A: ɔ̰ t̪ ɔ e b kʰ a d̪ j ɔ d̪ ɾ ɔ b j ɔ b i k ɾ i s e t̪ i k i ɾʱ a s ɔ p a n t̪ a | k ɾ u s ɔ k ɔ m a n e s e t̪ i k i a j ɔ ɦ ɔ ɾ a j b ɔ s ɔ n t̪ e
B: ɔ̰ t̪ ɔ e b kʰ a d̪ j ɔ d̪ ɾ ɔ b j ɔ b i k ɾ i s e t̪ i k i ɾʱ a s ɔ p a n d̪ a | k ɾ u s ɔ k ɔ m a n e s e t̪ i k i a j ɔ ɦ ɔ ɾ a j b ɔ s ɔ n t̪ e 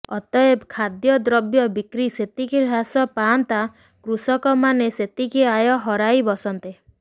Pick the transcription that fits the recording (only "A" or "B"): A